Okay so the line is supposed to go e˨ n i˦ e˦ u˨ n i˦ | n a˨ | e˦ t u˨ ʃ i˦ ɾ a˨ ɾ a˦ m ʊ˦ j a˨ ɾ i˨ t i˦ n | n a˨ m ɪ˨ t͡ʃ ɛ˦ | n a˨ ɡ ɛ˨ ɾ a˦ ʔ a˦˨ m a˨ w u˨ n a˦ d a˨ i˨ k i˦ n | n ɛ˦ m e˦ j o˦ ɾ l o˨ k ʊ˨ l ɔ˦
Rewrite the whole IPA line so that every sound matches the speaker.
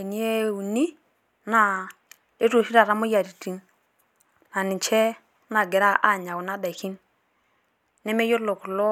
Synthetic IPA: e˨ n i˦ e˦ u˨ n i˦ | n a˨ | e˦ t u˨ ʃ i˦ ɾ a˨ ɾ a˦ m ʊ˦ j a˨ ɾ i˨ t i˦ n | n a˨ n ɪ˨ t͡ʃ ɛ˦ | n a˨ ɡ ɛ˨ ɾ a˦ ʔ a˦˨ ɲ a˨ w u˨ n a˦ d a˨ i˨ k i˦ n | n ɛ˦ m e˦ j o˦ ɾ l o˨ k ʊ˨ l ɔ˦